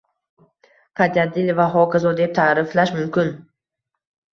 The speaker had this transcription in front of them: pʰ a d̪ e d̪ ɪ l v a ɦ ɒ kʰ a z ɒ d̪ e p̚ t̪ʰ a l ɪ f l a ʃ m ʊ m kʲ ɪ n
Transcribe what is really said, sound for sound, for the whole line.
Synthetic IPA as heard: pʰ a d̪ a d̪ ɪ l v a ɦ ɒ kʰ a z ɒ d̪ e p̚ t̪ʰ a ɾ ɪ f l a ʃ m ʊ m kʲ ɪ n